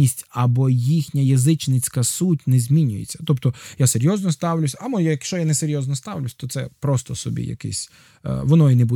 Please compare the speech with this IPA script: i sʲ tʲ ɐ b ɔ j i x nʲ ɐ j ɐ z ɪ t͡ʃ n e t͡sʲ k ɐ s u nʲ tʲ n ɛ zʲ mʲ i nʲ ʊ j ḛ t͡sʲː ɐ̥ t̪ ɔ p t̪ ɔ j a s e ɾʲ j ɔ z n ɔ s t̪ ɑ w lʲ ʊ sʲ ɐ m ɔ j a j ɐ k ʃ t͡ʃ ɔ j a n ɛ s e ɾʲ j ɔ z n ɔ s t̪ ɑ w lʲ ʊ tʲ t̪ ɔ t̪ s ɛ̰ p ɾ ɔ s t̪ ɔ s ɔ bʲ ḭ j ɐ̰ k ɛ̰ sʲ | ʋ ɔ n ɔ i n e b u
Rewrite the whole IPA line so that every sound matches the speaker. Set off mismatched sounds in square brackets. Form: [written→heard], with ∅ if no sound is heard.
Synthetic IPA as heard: i sʲ tʲ ɐ b ɔ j i x nʲ ɐ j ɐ z ɪ t͡ʃ n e t͡sʲ k ɐ s u [nʲ→∅] tʲ n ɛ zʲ mʲ i nʲ ʊ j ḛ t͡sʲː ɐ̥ t̪ ɔ p t̪ ɔ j a s e ɾʲ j ɔ z n ɔ s t̪ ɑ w lʲ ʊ sʲ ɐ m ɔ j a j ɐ k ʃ t͡ʃ ɔ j a n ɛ s e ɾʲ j ɔ z n ɔ s t̪ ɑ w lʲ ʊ [tʲ→sʲ] t̪ ɔ t̪ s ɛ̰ p ɾ ɔ s t̪ ɔ s ɔ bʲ ḭ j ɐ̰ k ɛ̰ sʲ | ʋ ɔ n ɔ i n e b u